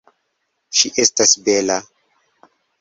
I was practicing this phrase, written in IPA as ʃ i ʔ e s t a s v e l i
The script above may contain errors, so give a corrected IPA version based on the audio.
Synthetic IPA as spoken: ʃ i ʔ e s t a s b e l a